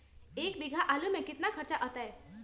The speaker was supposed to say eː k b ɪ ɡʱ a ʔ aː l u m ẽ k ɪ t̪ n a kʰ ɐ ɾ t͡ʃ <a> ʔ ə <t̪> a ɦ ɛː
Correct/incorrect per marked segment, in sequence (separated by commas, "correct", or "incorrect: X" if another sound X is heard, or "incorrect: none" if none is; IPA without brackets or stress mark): correct, correct